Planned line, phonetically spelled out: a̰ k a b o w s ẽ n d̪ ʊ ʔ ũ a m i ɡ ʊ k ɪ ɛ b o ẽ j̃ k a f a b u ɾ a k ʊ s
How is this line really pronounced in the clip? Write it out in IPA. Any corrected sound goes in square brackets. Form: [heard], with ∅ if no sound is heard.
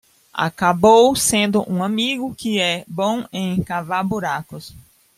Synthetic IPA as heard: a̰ k a b o w s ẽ n d̪ ʊ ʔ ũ a m i ɡ ʊ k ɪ ɛ b [õ] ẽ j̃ k a [v] a b u ɾ a k ʊ s